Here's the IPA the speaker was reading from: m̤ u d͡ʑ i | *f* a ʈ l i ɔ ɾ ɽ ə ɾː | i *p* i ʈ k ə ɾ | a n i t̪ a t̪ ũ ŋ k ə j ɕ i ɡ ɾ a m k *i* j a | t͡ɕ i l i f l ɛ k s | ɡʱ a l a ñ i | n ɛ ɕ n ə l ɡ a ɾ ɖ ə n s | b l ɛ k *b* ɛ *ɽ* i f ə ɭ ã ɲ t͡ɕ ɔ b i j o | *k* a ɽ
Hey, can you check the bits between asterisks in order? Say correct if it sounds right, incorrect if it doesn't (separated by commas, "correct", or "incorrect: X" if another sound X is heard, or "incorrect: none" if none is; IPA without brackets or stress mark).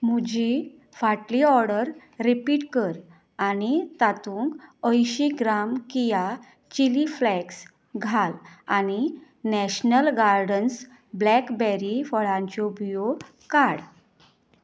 correct, correct, correct, correct, incorrect: ɾ, correct